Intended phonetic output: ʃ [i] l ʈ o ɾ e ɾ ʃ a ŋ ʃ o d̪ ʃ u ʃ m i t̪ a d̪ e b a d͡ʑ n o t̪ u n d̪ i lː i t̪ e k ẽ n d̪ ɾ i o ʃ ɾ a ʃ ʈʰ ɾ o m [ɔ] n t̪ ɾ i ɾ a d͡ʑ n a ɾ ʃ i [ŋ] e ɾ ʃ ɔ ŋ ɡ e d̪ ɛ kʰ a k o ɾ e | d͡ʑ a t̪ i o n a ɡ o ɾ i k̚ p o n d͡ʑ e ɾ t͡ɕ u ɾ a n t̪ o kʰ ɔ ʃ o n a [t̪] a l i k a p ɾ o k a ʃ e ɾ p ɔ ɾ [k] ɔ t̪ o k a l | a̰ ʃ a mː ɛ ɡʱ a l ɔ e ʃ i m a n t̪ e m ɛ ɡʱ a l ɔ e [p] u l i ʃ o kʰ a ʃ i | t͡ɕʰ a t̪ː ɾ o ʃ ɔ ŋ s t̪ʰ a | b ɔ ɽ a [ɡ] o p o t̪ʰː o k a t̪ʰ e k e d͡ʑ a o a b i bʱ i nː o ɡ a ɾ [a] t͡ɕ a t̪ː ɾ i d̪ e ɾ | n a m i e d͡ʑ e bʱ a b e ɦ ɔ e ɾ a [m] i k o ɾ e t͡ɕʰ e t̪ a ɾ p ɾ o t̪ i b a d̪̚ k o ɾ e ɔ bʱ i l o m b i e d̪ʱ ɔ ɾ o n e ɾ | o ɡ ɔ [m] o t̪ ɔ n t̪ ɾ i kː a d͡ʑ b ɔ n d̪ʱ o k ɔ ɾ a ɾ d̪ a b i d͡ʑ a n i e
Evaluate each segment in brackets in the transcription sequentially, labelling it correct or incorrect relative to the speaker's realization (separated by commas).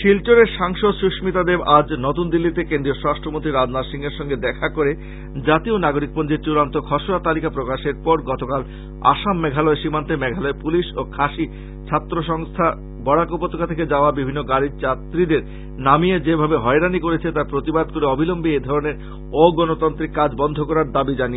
correct, incorrect, correct, correct, incorrect, correct, incorrect, incorrect, incorrect, incorrect